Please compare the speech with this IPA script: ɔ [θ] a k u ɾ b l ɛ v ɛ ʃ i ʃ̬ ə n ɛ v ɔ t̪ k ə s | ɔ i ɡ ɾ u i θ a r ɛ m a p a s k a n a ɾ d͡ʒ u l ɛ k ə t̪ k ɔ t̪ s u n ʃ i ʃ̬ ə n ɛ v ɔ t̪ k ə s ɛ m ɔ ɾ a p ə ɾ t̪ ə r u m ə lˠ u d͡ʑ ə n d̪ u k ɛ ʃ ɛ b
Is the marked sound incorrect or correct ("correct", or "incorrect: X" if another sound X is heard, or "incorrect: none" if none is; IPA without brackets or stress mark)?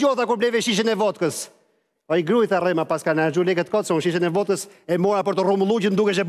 correct